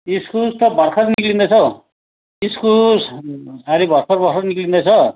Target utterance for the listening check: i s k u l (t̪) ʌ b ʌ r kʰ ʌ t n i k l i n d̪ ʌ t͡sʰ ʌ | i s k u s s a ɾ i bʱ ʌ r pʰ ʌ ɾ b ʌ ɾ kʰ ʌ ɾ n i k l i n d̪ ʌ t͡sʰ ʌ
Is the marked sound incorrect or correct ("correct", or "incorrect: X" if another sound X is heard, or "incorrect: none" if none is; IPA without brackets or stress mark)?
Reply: correct